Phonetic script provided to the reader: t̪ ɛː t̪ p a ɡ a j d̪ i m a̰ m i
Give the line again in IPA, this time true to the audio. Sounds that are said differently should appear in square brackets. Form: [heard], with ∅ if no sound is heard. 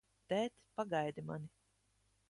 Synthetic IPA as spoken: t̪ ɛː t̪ p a ɡ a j d̪ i m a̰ [n] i